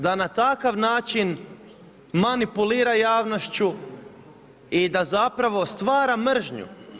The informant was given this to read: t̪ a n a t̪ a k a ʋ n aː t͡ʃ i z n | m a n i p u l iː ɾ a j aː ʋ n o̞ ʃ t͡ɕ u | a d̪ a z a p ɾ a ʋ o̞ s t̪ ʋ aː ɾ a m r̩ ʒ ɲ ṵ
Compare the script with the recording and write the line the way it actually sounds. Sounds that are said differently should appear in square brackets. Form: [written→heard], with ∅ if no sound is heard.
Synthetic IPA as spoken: [t̪→d̪] a n a t̪ a k a ʋ n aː t͡ʃ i [z→∅] n | m a n i p u l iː ɾ a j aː ʋ n o̞ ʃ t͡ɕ u | [a→i] d̪ a z a p ɾ a ʋ o̞ s t̪ ʋ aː ɾ a m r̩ ʒ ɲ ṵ